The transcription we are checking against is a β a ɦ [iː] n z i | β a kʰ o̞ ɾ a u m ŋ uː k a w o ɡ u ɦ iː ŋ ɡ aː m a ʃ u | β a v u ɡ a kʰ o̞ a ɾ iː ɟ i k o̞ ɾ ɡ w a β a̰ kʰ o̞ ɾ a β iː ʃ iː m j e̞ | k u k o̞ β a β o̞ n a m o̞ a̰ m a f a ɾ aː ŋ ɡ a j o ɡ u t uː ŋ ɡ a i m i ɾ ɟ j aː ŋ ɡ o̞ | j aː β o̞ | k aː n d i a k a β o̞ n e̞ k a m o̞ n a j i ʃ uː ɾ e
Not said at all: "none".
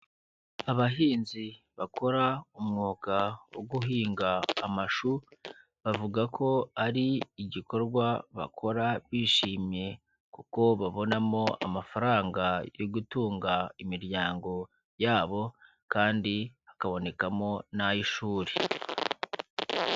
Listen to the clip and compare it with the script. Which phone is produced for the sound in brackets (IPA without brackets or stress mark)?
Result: iː